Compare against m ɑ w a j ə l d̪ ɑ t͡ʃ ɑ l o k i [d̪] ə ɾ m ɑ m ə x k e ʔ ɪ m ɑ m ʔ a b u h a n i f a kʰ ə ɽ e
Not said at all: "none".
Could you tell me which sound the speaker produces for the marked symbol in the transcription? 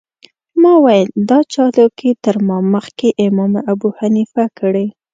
t̪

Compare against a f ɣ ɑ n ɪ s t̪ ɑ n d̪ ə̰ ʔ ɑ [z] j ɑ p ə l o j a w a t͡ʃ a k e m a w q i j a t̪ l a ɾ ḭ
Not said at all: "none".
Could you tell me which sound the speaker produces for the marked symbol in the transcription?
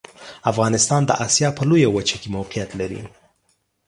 s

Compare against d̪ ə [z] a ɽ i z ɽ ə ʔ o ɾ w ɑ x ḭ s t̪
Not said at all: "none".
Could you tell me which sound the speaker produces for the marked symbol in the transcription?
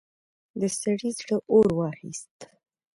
s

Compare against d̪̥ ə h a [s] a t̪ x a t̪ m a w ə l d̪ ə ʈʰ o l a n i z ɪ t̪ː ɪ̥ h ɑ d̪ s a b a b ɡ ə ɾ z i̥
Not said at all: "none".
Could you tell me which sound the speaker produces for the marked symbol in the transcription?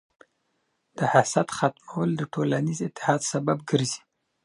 s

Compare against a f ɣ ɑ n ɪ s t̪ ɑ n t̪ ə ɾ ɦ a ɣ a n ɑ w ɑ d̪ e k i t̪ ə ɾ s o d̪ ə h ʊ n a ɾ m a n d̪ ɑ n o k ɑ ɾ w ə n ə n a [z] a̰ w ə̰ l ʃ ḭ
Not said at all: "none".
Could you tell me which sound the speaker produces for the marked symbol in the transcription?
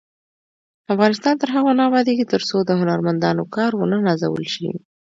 z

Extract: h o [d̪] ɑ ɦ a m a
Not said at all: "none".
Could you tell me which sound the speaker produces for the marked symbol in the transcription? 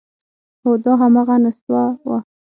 d̪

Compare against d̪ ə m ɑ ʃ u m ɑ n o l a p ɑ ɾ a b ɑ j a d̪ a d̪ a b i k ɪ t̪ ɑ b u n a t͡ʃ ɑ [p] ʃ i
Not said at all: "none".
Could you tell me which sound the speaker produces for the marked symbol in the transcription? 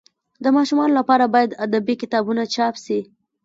p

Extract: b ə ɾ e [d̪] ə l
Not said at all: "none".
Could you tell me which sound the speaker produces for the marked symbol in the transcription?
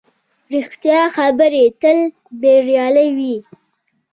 t̪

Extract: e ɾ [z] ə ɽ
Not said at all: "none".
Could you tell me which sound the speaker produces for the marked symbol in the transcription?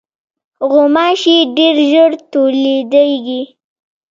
ʒ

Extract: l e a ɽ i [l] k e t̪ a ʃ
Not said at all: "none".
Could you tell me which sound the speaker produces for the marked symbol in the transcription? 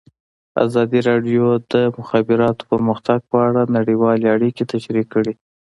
none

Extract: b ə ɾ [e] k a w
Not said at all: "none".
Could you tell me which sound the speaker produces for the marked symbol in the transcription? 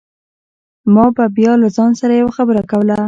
a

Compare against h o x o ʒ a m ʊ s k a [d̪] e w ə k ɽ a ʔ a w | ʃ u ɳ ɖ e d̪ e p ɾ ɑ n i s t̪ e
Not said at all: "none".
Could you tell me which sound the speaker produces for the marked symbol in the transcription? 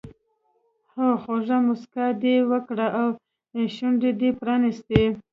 d̪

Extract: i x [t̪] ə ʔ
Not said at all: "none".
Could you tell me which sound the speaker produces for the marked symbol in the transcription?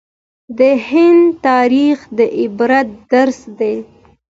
d̪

